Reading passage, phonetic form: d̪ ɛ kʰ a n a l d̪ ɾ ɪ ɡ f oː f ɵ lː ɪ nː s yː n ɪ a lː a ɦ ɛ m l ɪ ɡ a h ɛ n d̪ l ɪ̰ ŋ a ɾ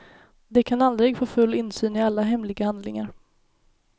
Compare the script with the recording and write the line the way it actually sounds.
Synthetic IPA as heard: d̪ ɛ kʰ a n a l d̪ ɾ ɪ ɡ f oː f ɵ lː ɪ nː s yː n ɪ a lː a ɦ ɛ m l ɪ ɡ a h a n d̪ l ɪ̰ ŋ a ɾ

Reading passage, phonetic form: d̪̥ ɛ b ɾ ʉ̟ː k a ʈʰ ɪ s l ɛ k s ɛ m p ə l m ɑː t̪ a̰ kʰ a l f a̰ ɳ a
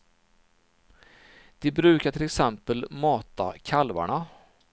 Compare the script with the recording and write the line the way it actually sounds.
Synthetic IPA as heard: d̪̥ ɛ b ɾ ʉ̟ː k a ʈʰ ɪ l ɛ k s ɛ m p ə l m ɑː t̪ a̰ kʰ a l v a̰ ɳ a

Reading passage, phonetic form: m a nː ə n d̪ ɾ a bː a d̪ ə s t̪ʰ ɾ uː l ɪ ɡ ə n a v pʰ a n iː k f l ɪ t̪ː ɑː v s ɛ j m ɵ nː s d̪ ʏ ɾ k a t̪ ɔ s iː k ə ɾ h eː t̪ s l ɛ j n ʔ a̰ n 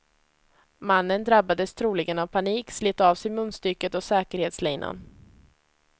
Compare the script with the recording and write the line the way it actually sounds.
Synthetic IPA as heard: m a nː ə n d̪ ɾ a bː a d̪ ə s t̪ʰ ɾ uː l ɪ ɡ ə n a v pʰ a n iː k s l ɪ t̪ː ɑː v s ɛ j m ɵ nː s t̪ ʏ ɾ k ə t̪ ɔ s ɛː k ə ɾ h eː t̪ s l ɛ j n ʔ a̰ n

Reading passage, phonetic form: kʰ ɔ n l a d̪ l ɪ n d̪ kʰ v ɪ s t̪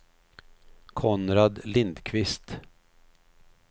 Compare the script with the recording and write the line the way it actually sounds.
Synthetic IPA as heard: kʰ ɔ n ɾ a d̪ l ɪ n d̪ kʰ v ɪ s t̪

